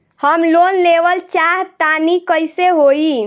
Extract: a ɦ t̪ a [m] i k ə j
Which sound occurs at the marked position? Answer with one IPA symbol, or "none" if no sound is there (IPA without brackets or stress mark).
n